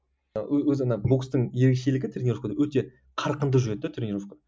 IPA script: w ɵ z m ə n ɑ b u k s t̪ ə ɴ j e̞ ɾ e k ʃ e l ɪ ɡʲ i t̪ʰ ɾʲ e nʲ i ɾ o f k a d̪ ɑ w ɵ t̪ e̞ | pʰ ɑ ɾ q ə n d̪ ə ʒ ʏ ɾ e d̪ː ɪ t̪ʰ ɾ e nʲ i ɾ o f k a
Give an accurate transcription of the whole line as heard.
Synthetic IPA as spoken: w ɵ z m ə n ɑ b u k s t̪ ə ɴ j e̞ ɾ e k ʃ e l ɪ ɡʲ ɪ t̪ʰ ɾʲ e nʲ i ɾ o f k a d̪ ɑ w ɵ t̪ e̞ | qʰ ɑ ɾ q ə n d̪ ə ʒ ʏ ɾ e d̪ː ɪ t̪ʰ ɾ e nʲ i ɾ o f k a